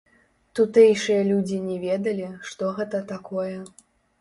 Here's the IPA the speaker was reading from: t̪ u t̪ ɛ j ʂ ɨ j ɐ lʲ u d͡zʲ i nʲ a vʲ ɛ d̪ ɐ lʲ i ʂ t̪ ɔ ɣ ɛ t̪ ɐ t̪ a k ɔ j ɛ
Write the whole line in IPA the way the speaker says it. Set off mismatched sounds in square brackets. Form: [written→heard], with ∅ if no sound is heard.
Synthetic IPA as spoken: t̪ u t̪ ɛ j ʂ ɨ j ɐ lʲ u d͡zʲ i nʲ [a→ɛ] vʲ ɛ d̪ ɐ lʲ i ʂ t̪ ɔ ɣ ɛ t̪ ɐ t̪ a k ɔ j ɛ